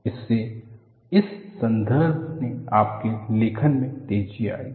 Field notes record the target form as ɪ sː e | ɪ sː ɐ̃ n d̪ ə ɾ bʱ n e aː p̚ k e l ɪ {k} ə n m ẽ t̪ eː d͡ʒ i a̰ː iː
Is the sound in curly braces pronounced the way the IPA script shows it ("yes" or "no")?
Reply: no